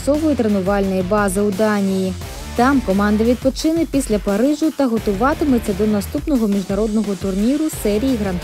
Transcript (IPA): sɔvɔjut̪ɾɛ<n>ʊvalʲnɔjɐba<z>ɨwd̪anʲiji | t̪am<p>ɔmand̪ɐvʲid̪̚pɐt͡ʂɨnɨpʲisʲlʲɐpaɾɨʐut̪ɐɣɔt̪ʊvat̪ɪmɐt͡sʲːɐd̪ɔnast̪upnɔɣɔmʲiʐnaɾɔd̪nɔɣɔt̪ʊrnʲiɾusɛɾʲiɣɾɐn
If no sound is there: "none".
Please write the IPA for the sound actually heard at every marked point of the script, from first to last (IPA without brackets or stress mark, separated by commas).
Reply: n, z, k